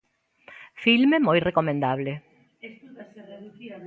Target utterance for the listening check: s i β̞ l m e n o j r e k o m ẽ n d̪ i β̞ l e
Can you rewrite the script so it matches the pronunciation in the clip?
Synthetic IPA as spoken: f i l m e m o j r e k o m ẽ n d̪ a β̞ l e